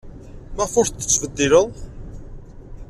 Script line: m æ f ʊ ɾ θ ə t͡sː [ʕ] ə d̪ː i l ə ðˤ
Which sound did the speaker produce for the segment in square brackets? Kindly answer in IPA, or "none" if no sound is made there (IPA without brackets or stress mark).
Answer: v